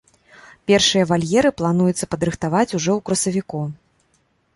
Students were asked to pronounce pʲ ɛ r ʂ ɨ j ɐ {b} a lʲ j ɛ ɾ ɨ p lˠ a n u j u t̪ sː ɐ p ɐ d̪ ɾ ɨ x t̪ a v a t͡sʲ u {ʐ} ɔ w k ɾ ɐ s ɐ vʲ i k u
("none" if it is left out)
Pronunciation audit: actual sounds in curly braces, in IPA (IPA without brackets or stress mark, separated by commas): v, ʐ